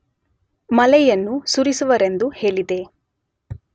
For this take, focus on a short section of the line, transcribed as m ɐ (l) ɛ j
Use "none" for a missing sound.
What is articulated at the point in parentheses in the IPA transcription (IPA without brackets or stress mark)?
l